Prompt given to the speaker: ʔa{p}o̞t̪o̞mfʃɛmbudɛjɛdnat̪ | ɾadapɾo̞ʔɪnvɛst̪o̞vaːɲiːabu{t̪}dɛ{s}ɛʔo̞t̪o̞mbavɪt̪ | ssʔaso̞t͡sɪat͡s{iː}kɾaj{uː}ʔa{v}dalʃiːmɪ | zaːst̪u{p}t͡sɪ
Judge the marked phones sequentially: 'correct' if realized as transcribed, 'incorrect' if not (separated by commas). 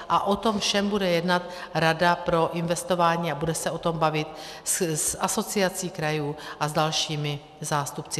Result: incorrect, incorrect, correct, correct, correct, incorrect, correct